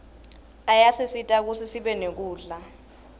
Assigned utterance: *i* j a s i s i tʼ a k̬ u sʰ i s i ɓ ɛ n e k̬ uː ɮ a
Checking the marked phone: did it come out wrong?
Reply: yes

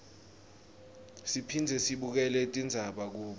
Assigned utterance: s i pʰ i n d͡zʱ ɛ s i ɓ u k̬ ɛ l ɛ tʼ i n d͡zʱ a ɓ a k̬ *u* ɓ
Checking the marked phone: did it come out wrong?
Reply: yes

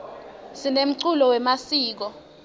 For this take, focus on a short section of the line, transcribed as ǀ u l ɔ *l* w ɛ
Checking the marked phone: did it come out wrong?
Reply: yes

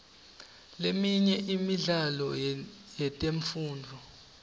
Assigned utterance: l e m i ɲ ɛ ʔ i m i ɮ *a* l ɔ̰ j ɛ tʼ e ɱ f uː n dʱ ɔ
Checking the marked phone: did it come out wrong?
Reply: no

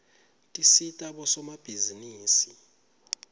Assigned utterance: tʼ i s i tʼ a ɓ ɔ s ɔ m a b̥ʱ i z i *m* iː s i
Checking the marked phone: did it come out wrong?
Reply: yes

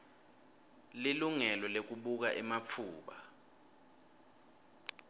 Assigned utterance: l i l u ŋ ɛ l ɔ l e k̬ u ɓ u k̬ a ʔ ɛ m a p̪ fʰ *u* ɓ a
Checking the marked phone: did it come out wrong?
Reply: yes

